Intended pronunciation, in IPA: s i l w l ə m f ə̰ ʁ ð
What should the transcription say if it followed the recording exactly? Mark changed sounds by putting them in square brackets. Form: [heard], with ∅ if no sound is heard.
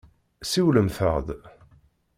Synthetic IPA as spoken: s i [∅] w l ə m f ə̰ ʁ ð